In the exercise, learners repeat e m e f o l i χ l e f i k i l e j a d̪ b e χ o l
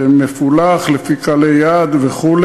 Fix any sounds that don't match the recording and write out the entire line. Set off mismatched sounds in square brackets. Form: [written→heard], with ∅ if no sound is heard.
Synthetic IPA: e m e f [o→u] l [i→a] χ l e f i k [i→a] l e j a d̪ [b→v] e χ [o→u] l